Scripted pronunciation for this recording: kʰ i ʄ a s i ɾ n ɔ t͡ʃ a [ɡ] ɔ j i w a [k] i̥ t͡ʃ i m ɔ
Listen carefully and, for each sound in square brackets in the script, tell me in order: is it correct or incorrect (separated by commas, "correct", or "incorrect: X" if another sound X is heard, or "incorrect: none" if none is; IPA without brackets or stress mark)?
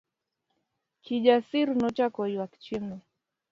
incorrect: k, correct